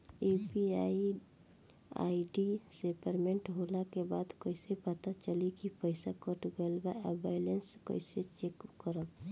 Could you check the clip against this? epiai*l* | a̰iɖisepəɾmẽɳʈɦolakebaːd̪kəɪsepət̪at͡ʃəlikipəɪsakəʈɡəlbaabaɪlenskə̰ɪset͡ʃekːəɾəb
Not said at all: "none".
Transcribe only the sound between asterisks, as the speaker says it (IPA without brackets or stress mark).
none